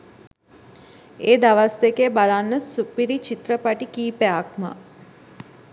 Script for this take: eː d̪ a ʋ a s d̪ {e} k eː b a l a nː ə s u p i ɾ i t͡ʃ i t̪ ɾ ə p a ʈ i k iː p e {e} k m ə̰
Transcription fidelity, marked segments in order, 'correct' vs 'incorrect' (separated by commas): correct, incorrect